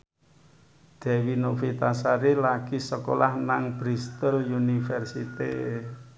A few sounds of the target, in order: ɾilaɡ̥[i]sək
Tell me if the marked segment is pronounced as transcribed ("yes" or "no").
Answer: yes